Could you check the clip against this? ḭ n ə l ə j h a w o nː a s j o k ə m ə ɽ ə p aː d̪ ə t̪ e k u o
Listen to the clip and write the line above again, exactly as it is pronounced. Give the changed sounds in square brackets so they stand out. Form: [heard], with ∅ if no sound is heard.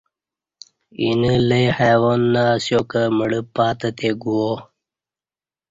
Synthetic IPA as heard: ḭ n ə l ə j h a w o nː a s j o k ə m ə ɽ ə p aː [t̪] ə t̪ e [ɡ] u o